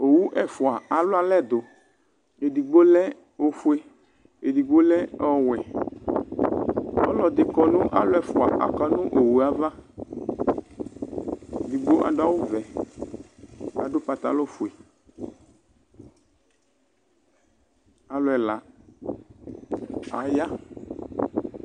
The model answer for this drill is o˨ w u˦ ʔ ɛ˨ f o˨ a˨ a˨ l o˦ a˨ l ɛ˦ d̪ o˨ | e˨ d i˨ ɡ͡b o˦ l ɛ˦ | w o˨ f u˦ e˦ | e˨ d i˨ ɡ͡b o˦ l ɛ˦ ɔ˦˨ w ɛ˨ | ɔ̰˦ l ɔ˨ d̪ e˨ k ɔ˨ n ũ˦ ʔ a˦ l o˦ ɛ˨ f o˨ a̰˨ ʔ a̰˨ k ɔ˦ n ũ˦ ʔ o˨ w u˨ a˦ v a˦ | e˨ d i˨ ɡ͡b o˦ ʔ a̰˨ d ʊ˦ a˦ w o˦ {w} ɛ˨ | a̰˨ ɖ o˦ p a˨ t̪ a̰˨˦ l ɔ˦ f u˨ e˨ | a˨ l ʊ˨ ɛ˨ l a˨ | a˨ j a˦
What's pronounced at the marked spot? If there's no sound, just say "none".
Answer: v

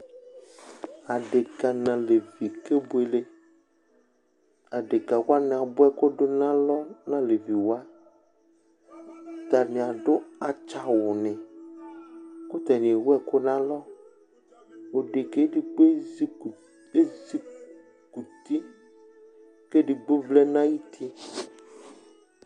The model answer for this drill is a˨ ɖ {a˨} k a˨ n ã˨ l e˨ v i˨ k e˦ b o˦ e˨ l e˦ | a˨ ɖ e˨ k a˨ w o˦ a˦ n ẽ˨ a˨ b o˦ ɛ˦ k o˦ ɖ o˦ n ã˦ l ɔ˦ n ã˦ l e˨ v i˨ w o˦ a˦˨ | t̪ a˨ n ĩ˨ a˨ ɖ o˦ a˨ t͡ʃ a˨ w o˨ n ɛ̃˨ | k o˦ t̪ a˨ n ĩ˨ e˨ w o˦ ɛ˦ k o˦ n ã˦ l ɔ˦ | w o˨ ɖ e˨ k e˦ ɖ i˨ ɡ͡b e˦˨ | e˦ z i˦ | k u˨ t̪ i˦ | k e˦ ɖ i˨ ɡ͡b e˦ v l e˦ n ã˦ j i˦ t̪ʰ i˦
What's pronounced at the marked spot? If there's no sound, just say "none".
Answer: e˨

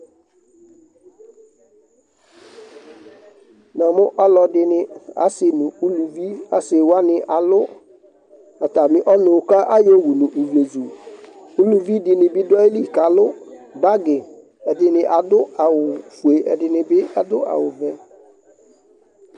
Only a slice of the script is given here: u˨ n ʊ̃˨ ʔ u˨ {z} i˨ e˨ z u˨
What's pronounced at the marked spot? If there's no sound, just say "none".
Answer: v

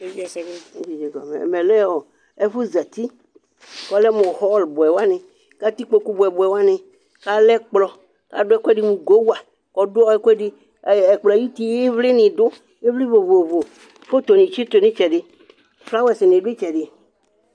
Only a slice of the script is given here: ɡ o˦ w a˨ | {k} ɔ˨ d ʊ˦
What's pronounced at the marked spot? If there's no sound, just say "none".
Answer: k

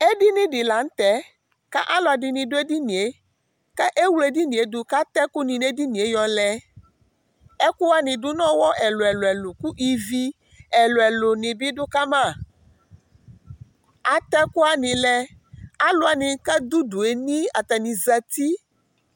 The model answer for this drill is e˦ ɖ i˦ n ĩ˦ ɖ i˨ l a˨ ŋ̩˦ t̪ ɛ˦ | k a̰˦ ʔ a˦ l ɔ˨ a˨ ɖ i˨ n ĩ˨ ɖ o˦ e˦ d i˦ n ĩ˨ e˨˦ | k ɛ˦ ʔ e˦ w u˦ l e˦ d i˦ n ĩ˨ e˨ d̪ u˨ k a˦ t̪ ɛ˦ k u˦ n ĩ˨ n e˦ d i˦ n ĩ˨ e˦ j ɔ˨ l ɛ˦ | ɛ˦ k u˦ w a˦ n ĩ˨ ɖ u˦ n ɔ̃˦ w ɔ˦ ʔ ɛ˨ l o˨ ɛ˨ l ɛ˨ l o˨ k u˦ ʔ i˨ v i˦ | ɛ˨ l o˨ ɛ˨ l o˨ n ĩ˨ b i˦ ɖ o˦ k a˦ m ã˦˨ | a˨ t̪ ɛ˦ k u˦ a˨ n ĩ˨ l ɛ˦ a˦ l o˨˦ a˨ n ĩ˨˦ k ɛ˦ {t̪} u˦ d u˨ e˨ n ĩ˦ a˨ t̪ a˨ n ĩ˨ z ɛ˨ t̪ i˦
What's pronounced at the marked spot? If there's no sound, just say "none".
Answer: d̪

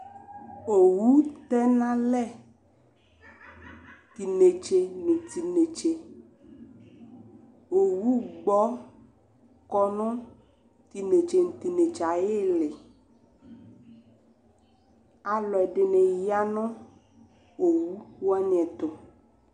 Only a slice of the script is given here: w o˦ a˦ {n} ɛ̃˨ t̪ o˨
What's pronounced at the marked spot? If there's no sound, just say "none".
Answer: ɲ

